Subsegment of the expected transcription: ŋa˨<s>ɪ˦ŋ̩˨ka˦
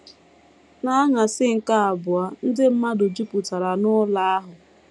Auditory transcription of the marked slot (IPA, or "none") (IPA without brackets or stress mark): s